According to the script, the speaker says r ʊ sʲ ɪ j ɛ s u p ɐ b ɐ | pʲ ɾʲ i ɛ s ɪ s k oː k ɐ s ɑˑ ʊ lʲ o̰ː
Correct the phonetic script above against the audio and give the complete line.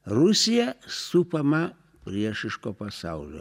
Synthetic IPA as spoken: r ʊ sʲ ɪ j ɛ s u p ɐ m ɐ | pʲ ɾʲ i ɛ ʃ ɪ ʃ k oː p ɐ s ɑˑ ʊ lʲ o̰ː